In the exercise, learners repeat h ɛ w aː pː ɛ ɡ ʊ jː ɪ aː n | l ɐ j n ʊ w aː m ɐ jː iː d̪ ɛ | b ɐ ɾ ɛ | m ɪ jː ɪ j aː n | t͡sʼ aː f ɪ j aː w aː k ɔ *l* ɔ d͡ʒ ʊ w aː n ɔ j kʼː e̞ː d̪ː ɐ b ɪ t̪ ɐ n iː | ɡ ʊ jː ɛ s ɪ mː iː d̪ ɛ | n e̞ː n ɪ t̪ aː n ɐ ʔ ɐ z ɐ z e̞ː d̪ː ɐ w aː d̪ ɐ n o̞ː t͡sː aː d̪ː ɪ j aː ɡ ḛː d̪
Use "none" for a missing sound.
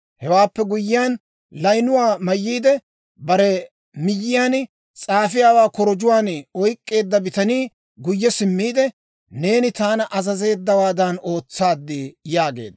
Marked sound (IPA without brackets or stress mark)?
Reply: ɾ